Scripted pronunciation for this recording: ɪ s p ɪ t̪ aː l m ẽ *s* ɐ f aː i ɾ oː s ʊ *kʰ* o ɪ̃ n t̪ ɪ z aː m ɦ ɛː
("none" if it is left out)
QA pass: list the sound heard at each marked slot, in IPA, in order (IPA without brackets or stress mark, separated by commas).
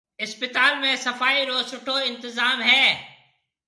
s, ʈʰ